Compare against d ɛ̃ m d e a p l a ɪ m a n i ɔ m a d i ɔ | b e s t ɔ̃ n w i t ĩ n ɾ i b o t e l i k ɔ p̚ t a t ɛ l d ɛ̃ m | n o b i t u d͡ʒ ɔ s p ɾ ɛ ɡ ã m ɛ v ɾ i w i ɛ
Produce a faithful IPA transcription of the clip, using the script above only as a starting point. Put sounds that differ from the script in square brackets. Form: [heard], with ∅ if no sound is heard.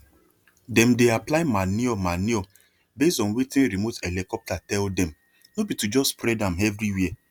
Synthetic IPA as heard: d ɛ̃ m d e a p l a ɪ m a n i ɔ m a [n] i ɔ | b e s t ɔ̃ n w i t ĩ n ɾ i [m] o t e l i k ɔ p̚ t a t ɛ l d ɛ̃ m | n o b i t u d͡ʒ ɔ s p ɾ ɛ [d] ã m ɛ v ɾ i w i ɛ